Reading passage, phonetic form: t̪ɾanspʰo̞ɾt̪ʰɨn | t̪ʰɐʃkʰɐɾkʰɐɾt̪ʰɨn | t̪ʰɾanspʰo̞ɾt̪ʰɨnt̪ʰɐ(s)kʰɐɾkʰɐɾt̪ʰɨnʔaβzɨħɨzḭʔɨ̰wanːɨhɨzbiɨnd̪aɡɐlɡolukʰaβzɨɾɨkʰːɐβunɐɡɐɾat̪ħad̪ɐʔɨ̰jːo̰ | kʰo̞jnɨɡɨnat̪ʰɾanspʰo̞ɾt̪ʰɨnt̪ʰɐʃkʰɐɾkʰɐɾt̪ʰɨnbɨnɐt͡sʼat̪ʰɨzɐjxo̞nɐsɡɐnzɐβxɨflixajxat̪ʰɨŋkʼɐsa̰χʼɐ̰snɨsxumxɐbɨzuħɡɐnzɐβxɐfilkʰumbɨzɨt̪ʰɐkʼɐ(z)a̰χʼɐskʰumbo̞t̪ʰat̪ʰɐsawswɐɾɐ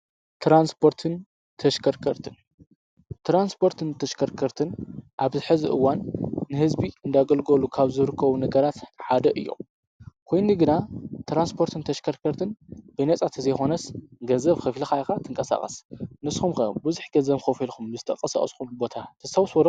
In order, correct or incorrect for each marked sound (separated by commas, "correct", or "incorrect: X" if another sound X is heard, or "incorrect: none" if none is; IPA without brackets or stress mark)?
incorrect: ʃ, incorrect: s